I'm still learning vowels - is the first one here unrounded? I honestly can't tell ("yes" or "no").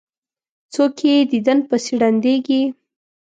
no